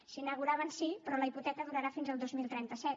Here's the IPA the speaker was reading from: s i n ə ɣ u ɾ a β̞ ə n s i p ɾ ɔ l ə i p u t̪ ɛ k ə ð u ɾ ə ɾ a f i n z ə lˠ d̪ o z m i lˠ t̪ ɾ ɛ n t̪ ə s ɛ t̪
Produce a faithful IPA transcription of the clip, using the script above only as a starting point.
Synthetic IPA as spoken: s i n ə ɣ u ɾ a β̞ ə n s i p ɾ ɔ l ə i p u t̪ ɛ k ə ð u ɾ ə ɾ a f i n z ə lˠ d̪ o z m i lˠ t̪ ɾ ɛ n t̪ ə s ɛ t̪